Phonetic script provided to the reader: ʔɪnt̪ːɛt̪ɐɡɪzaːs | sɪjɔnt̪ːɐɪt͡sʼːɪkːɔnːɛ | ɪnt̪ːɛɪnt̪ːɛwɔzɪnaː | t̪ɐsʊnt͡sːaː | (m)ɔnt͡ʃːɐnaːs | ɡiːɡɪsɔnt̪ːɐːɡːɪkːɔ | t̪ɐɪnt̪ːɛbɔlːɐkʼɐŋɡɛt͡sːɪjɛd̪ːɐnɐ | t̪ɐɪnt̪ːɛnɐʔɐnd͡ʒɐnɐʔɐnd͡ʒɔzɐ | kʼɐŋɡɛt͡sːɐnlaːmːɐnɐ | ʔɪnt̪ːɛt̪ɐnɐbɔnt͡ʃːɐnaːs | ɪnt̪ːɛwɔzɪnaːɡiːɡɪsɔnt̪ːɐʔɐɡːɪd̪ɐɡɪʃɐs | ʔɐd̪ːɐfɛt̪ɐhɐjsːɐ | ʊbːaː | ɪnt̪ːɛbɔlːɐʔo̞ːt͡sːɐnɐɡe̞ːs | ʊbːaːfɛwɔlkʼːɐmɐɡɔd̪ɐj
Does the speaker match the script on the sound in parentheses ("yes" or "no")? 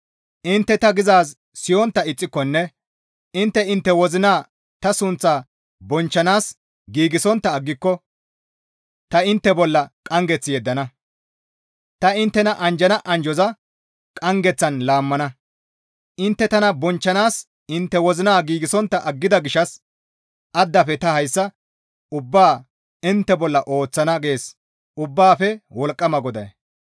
no